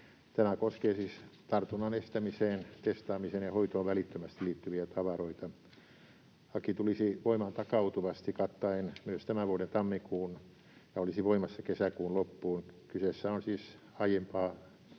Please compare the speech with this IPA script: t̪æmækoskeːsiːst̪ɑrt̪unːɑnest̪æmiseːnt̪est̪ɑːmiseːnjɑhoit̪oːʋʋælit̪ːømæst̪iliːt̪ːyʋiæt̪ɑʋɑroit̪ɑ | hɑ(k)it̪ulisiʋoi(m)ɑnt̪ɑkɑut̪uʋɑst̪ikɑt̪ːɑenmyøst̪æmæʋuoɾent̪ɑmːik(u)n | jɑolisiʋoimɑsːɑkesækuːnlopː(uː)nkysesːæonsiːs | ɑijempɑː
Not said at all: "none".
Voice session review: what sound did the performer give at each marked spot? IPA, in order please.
k, m, uː, uː

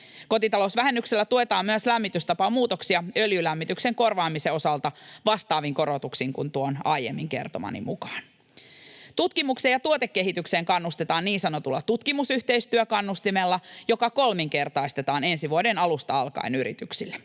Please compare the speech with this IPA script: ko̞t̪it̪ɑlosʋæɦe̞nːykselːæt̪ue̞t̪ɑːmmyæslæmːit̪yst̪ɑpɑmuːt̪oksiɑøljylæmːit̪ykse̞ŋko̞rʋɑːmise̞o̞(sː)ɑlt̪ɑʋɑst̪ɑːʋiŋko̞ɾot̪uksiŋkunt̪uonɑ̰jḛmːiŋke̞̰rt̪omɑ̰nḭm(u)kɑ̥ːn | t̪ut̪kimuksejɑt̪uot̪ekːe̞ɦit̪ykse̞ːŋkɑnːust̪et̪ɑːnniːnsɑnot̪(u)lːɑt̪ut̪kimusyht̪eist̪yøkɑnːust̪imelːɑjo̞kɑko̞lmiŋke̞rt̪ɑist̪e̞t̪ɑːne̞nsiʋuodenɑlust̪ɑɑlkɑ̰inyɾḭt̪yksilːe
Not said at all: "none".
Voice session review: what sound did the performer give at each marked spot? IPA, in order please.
s, u, u

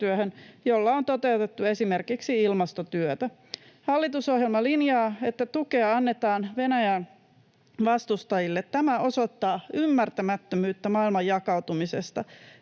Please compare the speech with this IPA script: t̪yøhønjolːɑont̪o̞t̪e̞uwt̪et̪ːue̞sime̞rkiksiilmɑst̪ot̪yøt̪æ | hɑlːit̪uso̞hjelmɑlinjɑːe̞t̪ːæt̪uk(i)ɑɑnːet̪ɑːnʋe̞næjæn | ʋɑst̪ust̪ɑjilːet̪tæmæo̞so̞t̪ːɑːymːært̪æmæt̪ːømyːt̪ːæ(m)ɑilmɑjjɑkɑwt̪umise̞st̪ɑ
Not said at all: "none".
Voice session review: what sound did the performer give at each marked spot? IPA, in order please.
e, m

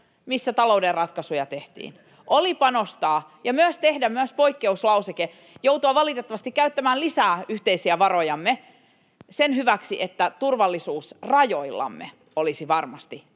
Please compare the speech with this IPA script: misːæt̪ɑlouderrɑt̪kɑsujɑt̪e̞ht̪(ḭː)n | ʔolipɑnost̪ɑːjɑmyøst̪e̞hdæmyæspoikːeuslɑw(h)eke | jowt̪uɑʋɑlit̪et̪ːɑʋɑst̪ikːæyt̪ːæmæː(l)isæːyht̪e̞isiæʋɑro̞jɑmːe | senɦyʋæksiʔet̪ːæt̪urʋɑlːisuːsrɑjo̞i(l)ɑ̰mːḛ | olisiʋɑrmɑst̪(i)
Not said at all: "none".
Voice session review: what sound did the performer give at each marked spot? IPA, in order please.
ḭː, s, l, lː, i

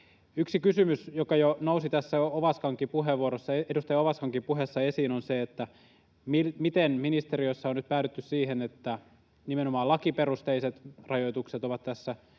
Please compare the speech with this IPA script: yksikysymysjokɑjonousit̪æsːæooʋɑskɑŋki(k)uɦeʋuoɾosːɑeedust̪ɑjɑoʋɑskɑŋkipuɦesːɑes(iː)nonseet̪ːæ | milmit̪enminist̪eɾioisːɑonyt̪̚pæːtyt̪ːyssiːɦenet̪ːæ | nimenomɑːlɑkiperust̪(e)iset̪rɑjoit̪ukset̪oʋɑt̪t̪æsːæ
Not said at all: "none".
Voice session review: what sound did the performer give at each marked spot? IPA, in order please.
p, iː, e

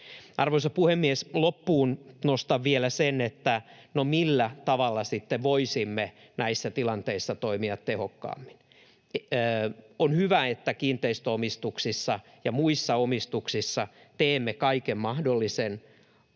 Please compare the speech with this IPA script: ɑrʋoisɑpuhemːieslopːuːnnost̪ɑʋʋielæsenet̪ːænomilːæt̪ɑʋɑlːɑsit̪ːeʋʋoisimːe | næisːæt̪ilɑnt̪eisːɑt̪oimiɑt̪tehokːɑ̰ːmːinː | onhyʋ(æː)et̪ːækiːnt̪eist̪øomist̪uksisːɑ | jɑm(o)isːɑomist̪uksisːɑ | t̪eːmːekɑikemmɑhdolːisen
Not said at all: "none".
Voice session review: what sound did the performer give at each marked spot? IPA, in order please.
æ, u

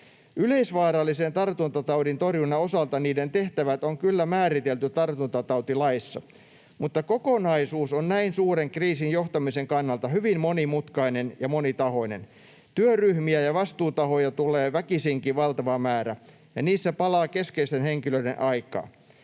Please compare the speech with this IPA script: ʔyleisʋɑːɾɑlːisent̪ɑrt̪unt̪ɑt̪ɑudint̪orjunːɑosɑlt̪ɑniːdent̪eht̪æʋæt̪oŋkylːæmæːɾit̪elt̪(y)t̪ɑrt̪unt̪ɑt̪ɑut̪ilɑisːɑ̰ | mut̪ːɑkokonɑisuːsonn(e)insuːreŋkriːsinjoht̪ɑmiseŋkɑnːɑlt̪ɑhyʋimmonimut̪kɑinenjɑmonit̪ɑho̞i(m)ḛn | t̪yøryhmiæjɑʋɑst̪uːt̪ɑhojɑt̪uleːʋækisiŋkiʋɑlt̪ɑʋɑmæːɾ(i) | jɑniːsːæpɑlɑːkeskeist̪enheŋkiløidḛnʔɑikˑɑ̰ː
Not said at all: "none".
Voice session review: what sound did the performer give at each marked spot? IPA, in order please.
y, æ, n, æ

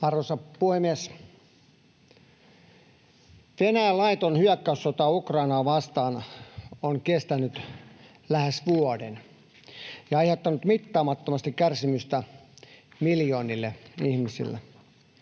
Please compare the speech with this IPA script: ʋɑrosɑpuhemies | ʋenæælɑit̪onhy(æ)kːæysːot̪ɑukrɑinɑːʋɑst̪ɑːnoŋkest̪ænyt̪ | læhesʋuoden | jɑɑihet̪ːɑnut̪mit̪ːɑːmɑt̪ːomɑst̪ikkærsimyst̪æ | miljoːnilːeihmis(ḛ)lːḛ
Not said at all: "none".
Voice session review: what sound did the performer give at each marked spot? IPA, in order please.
æ, ḭ

